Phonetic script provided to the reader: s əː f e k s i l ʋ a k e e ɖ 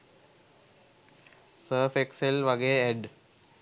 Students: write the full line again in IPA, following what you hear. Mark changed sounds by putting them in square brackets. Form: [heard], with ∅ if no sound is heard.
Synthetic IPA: s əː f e k s [e] l ʋ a [ɡ] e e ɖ